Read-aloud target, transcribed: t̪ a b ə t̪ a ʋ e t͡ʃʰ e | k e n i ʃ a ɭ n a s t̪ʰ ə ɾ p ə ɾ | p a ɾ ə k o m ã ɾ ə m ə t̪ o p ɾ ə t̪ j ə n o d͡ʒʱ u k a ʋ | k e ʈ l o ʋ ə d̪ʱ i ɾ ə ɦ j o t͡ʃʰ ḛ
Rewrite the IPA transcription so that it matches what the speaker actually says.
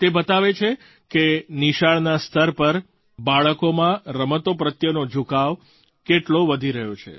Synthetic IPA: t̪ e b ə t̪ a ʋ e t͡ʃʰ e | k e n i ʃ a ɭ n a s t̪ʰ ə ɾ p ə ɾ | b a ɭ ə k o m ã ɾ ə m ə t̪ o p ɾ ə t̪ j ə n o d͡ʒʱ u k a ʋ | k e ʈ l o ʋ ə d̪ʱ i ɾ ə ɦ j o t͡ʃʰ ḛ